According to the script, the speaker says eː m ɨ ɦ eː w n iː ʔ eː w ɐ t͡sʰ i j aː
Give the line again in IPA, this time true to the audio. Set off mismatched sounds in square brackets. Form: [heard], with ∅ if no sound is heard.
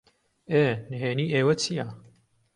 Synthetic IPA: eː [n] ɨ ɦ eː [∅] n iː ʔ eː w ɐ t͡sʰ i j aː